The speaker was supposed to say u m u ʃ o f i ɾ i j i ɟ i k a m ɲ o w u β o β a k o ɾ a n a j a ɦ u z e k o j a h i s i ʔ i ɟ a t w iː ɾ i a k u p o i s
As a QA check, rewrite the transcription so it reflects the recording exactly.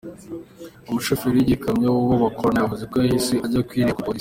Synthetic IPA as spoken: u m u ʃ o f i ɾ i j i ɟ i k a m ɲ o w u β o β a k o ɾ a n a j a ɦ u z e k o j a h i s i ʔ a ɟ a k w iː ɾ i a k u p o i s